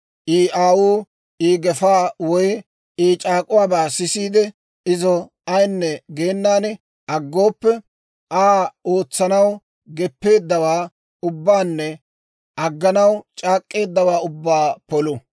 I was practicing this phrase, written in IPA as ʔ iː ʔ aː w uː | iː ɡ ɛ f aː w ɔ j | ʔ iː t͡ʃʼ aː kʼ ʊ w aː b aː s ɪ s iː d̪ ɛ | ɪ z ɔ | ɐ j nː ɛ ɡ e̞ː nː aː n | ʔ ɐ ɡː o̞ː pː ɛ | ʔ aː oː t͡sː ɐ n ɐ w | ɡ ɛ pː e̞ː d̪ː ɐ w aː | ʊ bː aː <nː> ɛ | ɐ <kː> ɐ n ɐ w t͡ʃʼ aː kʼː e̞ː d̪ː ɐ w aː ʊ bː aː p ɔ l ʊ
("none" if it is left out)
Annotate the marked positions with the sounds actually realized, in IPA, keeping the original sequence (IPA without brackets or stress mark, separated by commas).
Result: nː, ɡː